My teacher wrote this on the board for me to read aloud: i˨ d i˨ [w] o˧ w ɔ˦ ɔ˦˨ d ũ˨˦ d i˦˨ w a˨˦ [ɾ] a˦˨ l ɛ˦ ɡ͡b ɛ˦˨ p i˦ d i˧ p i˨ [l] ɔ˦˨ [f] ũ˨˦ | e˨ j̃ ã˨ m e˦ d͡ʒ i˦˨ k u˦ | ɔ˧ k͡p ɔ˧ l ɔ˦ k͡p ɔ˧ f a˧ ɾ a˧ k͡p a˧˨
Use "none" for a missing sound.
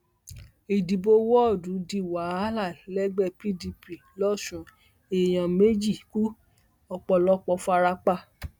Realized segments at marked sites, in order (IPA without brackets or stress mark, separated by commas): b, l, l, ʃ